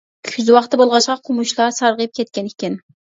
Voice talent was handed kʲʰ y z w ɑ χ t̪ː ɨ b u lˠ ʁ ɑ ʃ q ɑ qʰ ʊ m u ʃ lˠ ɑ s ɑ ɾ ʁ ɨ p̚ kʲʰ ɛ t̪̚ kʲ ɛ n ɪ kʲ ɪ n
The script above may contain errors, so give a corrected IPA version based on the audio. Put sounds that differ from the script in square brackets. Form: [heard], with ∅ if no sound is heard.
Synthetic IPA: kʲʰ y z w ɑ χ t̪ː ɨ b [o] lˠ ʁ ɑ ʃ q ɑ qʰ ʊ m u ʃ lˠ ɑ s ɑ ɾ ʁ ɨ p̚ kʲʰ ɛ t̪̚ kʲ ɛ n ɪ kʲ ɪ n